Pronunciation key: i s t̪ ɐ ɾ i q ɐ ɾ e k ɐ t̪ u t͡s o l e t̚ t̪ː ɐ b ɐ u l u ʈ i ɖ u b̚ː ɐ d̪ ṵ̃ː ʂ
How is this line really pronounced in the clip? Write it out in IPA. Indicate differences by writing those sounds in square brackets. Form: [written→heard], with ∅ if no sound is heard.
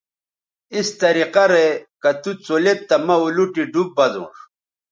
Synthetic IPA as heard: i s t̪ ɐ ɾ i q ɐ ɾ e k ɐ t̪ u t͡s o l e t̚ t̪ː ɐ [b→m] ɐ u l u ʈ i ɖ u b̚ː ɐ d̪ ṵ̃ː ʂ

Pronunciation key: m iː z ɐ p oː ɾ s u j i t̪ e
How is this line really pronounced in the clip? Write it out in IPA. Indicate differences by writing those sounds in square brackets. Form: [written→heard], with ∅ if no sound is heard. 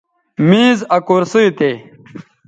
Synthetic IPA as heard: m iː z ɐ [p→k] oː ɾ s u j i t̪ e

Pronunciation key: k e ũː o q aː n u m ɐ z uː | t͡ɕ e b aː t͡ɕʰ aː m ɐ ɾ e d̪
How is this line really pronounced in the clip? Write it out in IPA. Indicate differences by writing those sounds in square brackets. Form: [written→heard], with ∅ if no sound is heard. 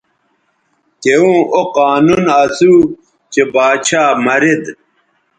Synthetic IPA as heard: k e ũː o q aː n u [m→n] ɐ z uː | t͡ɕ e b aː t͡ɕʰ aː m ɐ ɾ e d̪

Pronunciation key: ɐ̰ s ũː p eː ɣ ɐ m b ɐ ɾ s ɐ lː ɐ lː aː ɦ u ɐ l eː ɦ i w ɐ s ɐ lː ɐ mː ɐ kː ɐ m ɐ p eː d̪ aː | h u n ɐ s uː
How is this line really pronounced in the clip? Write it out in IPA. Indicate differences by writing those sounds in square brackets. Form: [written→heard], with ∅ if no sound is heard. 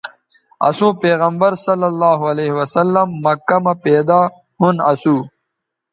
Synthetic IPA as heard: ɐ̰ s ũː p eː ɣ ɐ m b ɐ ɾ s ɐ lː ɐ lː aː ɦ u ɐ l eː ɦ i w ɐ s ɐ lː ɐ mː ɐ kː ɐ m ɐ p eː d̪ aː | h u n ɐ s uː

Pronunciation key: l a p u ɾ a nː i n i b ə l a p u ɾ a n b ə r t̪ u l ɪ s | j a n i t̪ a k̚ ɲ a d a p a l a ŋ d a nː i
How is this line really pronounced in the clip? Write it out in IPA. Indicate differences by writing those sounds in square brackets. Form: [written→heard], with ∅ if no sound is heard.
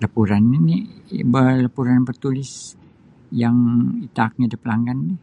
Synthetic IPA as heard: l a p u ɾ a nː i n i b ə l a p u ɾ a n b ə r t̪ u l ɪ s | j a [n→ŋ] i t̪ a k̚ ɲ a d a p [a→ə] l a ŋ [d→ɡ] a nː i

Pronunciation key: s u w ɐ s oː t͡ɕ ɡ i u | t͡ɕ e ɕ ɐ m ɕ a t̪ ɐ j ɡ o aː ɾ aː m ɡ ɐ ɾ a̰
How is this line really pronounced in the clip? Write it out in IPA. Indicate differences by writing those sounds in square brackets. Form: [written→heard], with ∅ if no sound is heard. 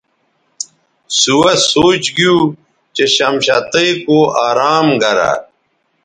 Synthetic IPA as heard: s u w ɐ s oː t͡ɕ ɡ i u | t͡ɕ e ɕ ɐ m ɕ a t̪ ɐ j [ɡ→k] o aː ɾ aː m ɡ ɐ ɾ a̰

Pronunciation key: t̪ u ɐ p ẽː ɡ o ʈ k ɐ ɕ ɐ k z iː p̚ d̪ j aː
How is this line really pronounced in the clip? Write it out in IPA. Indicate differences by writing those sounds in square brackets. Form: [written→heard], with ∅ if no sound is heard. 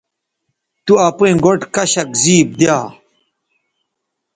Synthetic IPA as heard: t̪ u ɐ p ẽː ɡ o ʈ k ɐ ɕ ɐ k z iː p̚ d̪ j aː

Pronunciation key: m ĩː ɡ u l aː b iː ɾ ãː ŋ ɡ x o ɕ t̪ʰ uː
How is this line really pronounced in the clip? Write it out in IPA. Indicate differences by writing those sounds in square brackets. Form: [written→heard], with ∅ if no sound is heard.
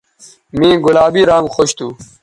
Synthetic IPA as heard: m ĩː ɡ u l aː b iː ɾ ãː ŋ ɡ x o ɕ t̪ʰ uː

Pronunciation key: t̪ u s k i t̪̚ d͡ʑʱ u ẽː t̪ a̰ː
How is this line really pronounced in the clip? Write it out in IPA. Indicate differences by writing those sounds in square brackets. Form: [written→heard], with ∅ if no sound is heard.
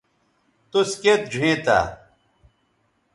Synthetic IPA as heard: t̪ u s k [i→e] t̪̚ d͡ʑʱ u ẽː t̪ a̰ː

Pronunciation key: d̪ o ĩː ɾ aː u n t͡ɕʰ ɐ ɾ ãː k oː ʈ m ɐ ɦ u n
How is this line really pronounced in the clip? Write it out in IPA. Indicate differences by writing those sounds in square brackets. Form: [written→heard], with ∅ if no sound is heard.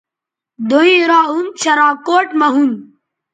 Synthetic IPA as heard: d̪ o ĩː ɾ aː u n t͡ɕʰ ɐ ɾ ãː k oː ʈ m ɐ ɦ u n

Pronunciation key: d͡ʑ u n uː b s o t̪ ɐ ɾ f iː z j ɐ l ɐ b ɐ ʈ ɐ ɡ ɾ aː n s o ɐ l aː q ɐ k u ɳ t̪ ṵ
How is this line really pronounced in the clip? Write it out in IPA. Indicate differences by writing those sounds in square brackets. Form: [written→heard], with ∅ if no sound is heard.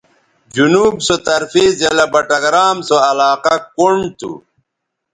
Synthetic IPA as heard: d͡ʑ u n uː b s o t̪ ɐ ɾ f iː z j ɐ l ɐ b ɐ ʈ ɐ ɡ ɾ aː [n→m] s o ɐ l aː q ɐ k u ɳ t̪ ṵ

